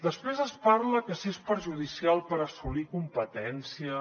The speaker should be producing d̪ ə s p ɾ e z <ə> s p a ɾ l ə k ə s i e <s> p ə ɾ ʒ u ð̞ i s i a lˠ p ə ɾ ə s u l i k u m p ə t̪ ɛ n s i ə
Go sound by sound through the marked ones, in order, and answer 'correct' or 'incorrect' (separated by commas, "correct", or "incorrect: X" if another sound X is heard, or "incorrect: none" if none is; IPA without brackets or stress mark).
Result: correct, correct